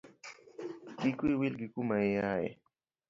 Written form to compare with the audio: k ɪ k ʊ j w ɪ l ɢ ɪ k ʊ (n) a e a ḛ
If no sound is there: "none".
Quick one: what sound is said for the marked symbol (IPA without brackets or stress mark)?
m